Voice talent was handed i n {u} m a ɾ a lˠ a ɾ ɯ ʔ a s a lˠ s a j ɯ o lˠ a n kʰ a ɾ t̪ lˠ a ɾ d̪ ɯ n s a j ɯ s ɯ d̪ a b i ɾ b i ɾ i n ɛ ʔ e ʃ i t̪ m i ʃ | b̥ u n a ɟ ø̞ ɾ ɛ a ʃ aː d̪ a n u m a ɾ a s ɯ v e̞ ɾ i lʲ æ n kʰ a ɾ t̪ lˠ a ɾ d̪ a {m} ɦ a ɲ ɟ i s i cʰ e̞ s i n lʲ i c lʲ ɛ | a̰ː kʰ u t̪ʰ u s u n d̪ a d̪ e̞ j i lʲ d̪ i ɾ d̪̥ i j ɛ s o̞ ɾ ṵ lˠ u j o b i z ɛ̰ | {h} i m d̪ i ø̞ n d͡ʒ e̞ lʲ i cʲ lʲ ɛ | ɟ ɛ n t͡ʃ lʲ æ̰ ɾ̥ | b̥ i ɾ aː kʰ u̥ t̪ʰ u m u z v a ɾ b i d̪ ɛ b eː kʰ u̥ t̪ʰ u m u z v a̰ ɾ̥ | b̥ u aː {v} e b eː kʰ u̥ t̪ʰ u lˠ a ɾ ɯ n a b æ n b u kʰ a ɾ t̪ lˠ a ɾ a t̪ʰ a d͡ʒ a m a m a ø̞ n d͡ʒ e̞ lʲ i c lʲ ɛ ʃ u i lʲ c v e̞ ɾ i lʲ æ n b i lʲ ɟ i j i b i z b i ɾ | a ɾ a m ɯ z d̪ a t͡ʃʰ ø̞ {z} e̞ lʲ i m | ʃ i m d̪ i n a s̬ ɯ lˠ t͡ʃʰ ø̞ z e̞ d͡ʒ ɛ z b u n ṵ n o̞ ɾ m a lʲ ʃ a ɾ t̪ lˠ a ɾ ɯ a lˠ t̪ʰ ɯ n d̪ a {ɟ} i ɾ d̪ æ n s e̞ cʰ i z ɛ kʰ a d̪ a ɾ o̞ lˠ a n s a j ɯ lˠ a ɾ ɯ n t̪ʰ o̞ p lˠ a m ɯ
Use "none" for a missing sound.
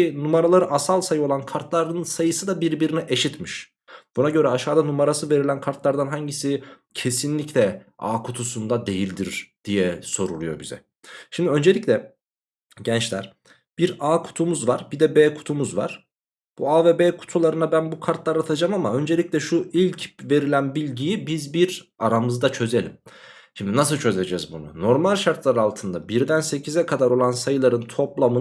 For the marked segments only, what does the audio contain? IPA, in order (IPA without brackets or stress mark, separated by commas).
u, n, ʃ, v, z, b